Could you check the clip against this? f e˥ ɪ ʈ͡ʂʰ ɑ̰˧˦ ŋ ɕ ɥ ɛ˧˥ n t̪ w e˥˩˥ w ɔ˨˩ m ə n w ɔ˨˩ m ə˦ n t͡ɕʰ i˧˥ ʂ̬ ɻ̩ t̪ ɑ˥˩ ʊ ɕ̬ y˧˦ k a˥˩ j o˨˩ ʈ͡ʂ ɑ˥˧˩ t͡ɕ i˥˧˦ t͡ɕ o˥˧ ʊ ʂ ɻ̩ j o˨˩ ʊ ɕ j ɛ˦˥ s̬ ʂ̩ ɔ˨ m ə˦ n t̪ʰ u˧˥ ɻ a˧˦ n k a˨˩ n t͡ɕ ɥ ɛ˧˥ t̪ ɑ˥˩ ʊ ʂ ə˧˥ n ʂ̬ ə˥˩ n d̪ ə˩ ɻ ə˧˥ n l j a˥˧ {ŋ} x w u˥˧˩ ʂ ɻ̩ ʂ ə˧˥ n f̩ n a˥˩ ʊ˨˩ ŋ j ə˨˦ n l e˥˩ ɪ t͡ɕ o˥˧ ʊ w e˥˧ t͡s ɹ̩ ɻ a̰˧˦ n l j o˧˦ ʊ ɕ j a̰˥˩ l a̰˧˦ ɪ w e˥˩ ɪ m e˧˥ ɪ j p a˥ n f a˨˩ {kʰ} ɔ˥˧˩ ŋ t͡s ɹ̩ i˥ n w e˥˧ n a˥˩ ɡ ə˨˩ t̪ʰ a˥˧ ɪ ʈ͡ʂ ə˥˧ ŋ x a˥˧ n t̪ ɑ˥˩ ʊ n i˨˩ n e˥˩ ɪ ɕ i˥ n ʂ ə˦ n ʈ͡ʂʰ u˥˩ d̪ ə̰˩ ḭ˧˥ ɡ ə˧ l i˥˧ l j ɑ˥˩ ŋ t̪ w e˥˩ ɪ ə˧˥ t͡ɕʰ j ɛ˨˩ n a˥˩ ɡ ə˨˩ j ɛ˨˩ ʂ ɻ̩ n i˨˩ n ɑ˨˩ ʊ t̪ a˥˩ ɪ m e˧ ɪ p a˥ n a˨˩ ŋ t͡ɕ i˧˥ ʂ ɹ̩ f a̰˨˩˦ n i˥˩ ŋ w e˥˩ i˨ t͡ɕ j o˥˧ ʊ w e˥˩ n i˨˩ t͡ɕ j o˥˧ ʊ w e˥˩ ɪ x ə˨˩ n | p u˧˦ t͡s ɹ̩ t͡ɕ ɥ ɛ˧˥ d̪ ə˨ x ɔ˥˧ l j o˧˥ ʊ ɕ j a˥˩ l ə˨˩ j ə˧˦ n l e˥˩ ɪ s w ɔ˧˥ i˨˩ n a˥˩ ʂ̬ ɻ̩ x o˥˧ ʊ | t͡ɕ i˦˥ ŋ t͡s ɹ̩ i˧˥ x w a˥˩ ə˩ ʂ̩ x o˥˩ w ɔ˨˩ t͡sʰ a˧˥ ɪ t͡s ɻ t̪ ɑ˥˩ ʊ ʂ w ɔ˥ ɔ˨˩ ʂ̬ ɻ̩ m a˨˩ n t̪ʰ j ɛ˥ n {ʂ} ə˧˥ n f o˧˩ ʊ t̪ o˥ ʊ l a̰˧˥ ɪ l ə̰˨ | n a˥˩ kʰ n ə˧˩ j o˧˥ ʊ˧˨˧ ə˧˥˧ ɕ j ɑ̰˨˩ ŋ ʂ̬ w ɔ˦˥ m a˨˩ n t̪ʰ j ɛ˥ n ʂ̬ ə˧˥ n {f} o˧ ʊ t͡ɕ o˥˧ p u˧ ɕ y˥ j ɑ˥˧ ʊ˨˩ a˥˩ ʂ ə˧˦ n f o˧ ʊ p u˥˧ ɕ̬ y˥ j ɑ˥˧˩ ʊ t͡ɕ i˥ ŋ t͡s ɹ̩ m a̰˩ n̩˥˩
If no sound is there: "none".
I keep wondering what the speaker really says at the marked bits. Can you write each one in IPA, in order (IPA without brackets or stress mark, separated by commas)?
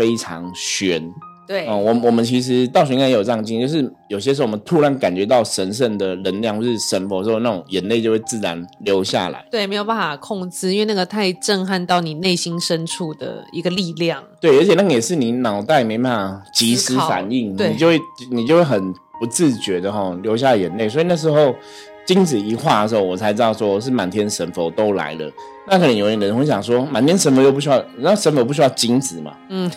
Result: ŋ, kʰ, ʂ, f